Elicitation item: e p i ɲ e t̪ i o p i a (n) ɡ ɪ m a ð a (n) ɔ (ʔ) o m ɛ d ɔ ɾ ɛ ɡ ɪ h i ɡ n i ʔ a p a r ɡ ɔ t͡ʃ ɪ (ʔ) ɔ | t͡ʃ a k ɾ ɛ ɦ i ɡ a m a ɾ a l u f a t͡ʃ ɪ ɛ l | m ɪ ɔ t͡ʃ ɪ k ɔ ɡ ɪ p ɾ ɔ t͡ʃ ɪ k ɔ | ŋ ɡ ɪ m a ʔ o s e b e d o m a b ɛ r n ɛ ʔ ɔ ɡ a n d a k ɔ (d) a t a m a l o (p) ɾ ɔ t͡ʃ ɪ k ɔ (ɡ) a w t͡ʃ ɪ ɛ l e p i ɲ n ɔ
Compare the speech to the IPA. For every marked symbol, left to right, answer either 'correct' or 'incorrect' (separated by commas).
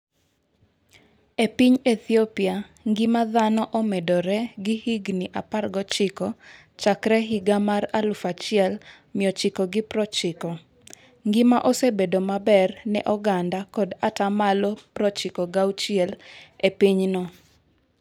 incorrect, correct, correct, incorrect, correct, correct, correct